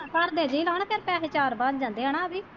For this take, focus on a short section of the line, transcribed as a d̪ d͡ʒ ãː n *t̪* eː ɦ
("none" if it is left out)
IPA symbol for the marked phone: d̪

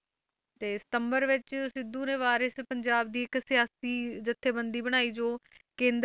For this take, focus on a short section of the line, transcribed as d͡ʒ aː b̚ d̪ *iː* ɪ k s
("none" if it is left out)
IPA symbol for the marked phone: iː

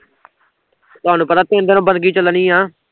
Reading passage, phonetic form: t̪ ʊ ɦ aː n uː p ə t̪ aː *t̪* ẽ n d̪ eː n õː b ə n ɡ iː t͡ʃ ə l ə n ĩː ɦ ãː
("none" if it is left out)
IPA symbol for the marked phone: t̪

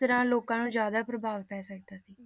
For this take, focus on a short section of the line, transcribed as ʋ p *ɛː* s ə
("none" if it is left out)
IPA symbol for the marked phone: ɛː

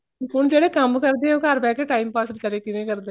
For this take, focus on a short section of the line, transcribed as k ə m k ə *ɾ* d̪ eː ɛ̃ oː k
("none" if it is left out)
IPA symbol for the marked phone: ɾ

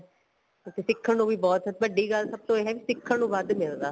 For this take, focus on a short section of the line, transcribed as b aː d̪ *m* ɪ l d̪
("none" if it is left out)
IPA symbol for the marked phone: m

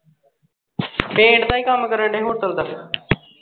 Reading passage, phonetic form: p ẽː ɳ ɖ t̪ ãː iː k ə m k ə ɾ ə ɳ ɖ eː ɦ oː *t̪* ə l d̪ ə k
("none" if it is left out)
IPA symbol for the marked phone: t̪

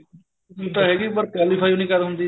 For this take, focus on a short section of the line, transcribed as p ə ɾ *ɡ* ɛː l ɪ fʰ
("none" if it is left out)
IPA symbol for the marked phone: k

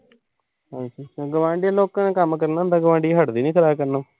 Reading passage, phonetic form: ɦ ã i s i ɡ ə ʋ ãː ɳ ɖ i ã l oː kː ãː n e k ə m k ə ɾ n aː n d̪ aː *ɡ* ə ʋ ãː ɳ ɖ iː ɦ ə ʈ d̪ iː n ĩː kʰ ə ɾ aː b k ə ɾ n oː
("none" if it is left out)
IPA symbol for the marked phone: ɡ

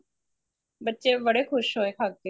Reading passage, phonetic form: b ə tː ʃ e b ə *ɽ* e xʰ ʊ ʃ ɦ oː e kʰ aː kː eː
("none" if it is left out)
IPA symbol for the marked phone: ɽ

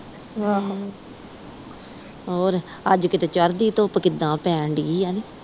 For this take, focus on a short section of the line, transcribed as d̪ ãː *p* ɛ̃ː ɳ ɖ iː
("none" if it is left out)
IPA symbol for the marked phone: p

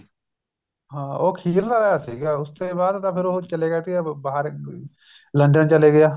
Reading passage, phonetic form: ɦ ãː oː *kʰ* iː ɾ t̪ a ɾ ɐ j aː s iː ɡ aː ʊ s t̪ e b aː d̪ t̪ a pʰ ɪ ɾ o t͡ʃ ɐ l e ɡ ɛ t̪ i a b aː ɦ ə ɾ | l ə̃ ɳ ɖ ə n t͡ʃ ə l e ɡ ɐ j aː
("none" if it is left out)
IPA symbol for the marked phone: kʰ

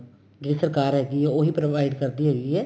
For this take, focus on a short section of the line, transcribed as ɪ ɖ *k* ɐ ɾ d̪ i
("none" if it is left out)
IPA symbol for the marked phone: k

